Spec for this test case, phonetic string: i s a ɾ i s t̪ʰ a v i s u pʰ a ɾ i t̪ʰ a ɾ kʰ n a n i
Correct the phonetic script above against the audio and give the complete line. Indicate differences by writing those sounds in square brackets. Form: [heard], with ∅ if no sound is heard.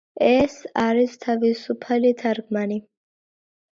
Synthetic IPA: [ɛ] s a ɾ i s t̪ʰ a v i s u pʰ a [l] i t̪ʰ a ɾ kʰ [m] a n i